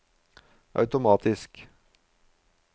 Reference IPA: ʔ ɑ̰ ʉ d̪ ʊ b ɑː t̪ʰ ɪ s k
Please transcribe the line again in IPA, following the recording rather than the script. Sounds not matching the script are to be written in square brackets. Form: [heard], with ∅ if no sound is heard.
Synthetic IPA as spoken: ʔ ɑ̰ ʉ [t̪] ʊ [m] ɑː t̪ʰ ɪ s k